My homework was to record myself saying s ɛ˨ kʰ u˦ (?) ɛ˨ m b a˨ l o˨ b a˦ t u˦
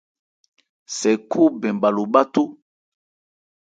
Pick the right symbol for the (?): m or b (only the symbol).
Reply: b